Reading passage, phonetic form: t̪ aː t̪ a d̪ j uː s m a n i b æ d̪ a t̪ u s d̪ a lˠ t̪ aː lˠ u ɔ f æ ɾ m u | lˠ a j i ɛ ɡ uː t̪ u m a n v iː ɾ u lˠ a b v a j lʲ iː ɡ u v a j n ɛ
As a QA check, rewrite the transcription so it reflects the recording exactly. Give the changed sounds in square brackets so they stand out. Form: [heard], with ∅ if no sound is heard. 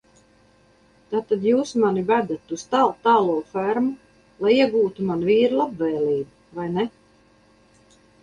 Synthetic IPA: t̪ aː t̪ a d̪ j uː s m a n i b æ d̪ a t̪ u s [t̪] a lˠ t̪ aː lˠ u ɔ f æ ɾ m u | lˠ a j i ɛ ɡ uː t̪ u m a n v iː ɾ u lˠ a b v [ɛ] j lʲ iː [b] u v a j n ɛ